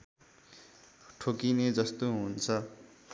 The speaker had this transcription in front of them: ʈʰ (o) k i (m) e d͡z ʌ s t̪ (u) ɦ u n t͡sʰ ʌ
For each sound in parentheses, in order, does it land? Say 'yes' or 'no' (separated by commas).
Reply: yes, no, no